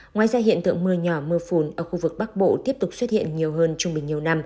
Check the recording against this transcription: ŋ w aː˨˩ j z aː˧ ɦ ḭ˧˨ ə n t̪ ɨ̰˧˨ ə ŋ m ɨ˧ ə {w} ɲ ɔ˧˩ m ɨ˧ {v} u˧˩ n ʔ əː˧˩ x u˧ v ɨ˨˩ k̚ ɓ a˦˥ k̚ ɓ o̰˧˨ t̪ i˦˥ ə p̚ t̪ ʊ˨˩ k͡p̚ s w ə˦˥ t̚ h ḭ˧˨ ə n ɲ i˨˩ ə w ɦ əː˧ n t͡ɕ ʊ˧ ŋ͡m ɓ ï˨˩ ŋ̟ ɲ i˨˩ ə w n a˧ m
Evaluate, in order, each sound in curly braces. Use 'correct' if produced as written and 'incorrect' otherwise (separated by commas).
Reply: incorrect, incorrect